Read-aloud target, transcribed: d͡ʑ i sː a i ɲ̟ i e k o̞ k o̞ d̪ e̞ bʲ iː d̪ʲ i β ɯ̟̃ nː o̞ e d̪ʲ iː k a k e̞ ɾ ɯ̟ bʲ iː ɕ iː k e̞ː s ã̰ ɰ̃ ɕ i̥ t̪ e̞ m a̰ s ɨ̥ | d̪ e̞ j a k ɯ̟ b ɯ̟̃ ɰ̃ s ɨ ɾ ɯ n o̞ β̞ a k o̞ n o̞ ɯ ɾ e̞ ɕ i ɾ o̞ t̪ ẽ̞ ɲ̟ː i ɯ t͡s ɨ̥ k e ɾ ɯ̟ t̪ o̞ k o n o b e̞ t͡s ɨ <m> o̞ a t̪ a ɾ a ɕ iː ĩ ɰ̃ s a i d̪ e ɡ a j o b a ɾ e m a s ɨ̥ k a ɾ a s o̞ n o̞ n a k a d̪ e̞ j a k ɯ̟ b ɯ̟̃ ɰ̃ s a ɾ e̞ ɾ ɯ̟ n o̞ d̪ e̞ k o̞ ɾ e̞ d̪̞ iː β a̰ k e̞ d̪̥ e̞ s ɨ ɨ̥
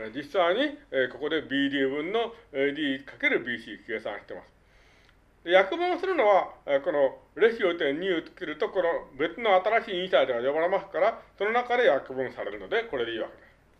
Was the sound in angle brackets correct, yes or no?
no